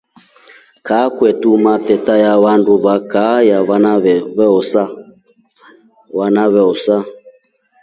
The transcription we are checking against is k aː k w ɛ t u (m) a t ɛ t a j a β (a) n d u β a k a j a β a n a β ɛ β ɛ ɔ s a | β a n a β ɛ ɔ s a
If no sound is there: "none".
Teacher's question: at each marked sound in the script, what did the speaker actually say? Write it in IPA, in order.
m, a

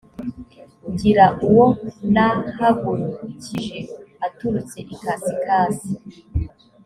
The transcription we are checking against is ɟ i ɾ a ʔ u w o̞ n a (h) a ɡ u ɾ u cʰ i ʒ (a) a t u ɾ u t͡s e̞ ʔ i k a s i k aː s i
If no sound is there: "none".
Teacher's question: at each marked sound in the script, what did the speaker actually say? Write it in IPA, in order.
h, e

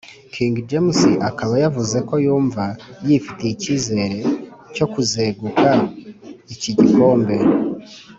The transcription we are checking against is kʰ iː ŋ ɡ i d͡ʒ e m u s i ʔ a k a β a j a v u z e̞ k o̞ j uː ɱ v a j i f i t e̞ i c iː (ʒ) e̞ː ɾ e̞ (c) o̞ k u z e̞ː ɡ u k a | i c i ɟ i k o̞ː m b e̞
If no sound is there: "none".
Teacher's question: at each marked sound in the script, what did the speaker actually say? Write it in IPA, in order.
z, c

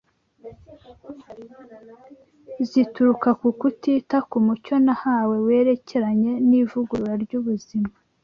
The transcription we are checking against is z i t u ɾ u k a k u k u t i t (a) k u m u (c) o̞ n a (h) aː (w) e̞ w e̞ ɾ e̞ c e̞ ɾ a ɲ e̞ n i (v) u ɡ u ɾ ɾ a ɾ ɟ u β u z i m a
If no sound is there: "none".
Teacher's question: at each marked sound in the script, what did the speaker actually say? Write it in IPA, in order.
a, c, h, w, v

